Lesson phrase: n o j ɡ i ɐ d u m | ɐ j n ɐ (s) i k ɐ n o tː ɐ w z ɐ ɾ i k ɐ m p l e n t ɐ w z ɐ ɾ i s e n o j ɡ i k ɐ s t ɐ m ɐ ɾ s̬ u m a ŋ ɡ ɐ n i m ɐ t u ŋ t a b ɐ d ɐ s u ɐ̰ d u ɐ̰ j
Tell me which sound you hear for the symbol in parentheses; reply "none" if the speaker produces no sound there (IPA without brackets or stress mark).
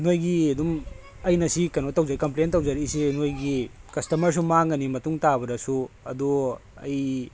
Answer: s